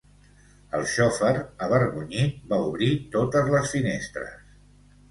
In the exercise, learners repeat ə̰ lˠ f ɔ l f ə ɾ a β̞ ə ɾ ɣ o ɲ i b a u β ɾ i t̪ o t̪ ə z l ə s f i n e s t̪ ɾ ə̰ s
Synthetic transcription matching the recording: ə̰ lˠ ʃ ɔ f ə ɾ ə β̞ ə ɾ ɣ u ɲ i b a u β ɾ i t̪ o t̪ ə z l ə s f i n e s t̪ ɾ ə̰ s

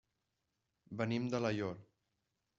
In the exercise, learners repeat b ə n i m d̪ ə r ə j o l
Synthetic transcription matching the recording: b ə n i m d̪ ə l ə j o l

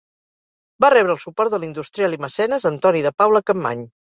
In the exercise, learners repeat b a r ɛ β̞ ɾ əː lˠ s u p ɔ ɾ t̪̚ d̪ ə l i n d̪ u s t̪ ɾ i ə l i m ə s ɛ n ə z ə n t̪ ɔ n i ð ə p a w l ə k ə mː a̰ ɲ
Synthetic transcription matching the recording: b a r ɛ β̞ ɾ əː lˠ s u p ɔ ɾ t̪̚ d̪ ə l i n d̪ u s t̪ ɾ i a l i m ə s ɛ n ə z ə n t̪ ɔ n i ð ə p a w l ə k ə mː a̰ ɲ

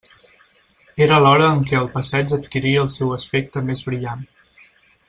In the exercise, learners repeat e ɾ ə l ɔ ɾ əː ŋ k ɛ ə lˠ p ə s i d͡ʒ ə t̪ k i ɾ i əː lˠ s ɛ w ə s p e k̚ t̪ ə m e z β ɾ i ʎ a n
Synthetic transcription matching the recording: e ɾ ə l ɔ ɾ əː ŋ k ɛ ə lˠ p ə s ɛ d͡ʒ ə t̪ k i ɾ i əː lˠ s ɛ w ə s p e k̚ t̪ ə m e z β ɾ i ʎ a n

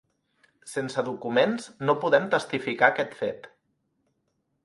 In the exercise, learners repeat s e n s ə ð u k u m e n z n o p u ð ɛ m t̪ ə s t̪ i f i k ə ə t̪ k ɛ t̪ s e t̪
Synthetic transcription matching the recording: s e n s ə ð u k u m e n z n o p u ð ɛ m t̪ ə s t̪ i f i k a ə k ɛ t̪ f e t̪

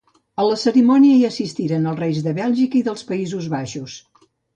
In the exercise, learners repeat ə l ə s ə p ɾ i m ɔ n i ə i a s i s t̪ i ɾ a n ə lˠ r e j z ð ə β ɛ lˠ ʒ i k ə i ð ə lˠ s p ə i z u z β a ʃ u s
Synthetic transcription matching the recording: ə l ə s ə ɾ i m ɔ n i ə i ə s i s t̪ i ɾ ə n ə lˠ r e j z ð ə β ɛ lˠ ʒ i k ə i ð ə lˠ s p ə i z u z β a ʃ u s

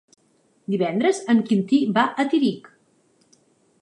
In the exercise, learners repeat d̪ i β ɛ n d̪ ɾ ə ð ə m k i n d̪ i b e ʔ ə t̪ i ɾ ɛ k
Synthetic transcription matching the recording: d̪ i β ɛ n d̪ ɾ ə z ə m k i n t̪ i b a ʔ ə t̪ i ɾ i k

